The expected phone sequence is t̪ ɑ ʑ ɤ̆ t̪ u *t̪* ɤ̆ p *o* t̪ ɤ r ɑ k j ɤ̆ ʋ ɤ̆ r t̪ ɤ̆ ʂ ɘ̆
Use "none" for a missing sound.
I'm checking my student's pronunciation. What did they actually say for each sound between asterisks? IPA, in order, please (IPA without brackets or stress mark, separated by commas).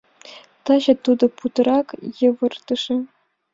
d̪, u